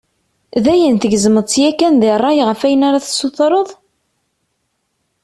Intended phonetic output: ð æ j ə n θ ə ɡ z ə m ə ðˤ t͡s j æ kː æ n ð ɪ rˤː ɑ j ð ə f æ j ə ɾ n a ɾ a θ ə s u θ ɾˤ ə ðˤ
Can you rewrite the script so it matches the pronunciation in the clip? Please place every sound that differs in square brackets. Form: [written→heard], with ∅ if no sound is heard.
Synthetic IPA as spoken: ð æ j ə n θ ə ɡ z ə m ə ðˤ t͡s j æ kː æ n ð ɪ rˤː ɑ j [ð→ʁ] ə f æ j ə [ɾ→∅] n a ɾ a θ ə s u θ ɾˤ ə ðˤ

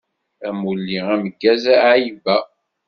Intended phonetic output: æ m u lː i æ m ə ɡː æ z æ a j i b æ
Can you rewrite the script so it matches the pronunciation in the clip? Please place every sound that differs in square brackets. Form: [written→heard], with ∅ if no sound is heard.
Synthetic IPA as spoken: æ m u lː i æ m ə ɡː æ z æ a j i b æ

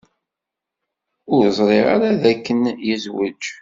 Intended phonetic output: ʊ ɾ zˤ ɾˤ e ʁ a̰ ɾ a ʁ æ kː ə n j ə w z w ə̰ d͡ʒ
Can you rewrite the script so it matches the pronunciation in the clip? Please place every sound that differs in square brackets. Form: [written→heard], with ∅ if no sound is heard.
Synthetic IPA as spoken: ʊ ɾ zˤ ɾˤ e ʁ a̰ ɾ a [ʁ→ð] æ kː ə n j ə [w→∅] z w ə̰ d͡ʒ

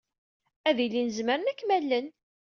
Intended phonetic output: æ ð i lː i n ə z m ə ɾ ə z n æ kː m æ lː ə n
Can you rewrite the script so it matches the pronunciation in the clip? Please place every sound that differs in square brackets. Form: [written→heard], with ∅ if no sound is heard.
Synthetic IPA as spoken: æ ð i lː i n ə z m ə ɾ ə [z→∅] n æ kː m æ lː ə n

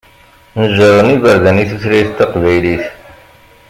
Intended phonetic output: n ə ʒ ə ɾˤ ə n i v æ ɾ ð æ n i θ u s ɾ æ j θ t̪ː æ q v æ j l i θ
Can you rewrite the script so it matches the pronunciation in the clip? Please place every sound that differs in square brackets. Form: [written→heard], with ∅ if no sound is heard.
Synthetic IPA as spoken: n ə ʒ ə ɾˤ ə n i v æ ɾ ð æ n i θ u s ɾ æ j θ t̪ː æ q v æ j l i θ

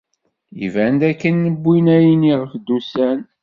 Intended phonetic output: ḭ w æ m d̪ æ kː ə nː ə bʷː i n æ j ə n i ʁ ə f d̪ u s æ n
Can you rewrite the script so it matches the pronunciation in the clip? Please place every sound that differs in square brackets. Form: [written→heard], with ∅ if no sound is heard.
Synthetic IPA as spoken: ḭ [w→v] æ [m→n] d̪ æ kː ə nː ə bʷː i n æ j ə n i ʁ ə f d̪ u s æ n

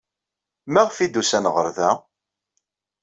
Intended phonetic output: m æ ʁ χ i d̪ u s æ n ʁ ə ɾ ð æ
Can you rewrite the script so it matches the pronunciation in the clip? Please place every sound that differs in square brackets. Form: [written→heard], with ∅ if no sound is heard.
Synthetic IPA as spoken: m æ ʁ [χ→f] i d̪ u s æ n ʁ ə ɾ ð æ

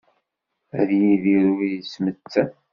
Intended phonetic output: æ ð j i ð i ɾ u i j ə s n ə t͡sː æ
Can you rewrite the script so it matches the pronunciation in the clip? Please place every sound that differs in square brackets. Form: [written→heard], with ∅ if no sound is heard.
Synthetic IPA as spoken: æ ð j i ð i ɾ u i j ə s [n→m] ə t͡sː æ

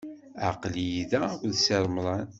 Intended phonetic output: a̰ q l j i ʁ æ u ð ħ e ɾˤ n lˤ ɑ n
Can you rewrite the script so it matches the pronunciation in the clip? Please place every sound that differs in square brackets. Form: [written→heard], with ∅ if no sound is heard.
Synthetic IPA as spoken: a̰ q l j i [ʁ→ð] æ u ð [ħ→s] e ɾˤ [n→m] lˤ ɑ n

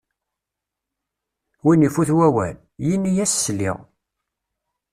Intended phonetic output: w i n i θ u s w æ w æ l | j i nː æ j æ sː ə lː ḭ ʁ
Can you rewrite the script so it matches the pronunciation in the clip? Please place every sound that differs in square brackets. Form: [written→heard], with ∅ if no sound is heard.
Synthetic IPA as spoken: w i n i [θ→f] u [s→θ] w æ w æ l | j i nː [æ→i] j æ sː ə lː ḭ ʁ

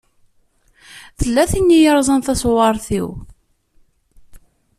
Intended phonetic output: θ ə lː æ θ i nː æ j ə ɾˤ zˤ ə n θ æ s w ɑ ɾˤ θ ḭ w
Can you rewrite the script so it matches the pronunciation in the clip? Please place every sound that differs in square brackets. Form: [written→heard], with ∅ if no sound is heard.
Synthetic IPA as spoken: θ ə lː æ θ i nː [æ→i] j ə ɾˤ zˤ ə n θ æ s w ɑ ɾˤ θ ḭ w

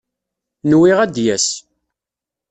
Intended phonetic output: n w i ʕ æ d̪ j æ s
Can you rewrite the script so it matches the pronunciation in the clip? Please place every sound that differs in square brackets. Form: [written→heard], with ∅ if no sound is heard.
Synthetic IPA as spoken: n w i [ʕ→ʁ] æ d̪ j æ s

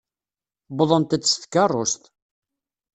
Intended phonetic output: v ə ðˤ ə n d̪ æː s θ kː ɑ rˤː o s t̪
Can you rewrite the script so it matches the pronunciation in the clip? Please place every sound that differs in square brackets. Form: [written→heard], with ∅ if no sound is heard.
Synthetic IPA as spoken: [v→b] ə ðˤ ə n [d̪→t̪] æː s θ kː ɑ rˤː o s t̪

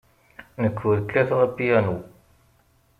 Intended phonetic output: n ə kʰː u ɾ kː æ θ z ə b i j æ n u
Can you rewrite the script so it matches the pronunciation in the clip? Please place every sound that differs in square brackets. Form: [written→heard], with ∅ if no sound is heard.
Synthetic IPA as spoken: n ə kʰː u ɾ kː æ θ [z→ʁ] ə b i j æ n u

